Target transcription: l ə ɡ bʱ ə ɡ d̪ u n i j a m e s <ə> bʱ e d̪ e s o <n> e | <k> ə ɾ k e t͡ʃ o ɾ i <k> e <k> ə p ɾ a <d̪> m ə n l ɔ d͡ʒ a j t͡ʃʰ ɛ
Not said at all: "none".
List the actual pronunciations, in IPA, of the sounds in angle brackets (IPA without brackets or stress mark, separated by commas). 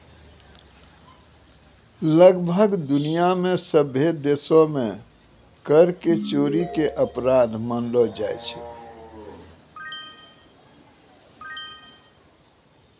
ə, m, k, k, ʔ, d̪